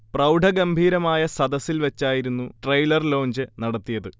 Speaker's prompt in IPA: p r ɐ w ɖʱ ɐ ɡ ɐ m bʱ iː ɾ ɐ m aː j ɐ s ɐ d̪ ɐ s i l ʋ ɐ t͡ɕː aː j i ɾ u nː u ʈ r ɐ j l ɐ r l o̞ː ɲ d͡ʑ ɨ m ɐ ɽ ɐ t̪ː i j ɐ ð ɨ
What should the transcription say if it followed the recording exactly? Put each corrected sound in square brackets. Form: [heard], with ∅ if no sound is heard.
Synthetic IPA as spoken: p r ɐ w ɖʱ ɐ ɡ ɐ m bʱ iː ɾ ɐ m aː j ɐ s ɐ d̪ ɐ s i l ʋ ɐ t͡ɕː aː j i ɾ u nː u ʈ r ɐ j l ɐ r l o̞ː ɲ d͡ʑ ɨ [n] ɐ ɽ ɐ t̪ː i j ɐ ð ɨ